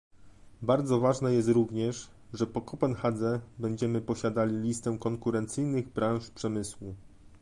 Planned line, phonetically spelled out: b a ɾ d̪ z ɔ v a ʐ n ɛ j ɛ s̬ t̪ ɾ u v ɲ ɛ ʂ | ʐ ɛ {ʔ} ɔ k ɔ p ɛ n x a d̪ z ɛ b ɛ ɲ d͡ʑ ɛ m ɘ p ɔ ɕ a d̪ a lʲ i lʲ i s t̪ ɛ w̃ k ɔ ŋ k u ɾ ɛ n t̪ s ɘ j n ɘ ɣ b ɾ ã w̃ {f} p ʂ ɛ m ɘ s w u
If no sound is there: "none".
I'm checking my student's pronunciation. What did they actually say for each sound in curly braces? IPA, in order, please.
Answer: p, ʂ

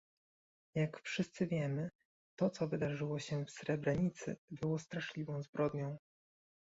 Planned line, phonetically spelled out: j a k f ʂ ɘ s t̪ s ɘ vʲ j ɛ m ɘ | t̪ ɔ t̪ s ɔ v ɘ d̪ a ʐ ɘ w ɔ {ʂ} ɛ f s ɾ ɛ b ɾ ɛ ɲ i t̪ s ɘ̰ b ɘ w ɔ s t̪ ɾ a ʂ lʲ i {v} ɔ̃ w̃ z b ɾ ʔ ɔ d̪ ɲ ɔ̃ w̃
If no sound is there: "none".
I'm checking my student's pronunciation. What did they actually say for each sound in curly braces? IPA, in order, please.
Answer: ɕ, v

